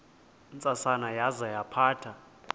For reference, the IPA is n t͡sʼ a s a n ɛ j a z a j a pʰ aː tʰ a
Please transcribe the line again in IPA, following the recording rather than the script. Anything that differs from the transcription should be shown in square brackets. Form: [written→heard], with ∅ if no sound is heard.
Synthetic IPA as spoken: n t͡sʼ a s a n [ɛ→a] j a z a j a pʰ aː tʰ a